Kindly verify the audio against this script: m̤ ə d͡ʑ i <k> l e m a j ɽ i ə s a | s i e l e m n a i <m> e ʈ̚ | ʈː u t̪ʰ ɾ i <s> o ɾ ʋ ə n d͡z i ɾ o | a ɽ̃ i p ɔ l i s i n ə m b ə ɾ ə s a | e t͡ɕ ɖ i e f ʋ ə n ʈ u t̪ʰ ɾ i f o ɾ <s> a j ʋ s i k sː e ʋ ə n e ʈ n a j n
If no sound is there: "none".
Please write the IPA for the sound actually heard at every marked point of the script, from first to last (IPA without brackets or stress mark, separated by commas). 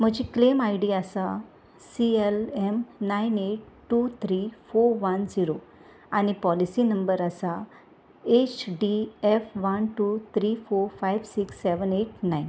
k, n, f, f